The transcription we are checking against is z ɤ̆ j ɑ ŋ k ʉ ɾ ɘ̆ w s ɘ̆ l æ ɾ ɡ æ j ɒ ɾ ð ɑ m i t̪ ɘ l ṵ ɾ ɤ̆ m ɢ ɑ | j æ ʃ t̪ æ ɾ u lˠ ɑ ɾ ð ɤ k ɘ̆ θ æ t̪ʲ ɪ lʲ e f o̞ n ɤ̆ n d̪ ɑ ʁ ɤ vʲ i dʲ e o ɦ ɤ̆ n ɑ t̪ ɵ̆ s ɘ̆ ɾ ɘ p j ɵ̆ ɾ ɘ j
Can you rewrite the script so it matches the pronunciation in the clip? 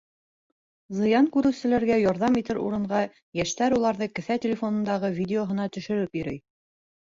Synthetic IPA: z ɤ̆ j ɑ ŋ k ʉ ɾ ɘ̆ w s ɘ̆ l æ ɾ ɡ æ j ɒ ɾ ð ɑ m i t̪ ɘ ɾ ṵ ɾ ɤ̆ ɴ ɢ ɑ | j æ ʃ t̪ æ ɾ u lˠ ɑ ɾ ð ɤ k ɘ̆ θ æ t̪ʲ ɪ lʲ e f o̞ n ɤ̆ n d̪ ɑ ʁ ɤ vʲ i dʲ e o ɦ ɤ̆ n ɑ t̪ ɵ̆ ʃ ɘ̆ ɾ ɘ p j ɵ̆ ɾ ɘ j